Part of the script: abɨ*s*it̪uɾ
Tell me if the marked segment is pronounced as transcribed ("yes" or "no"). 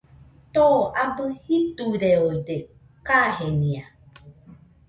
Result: no